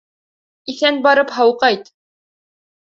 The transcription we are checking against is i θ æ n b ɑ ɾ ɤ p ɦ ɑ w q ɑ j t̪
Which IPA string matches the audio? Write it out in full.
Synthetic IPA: i θ æ n b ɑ ɾ ɤ p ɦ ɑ w q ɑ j t̪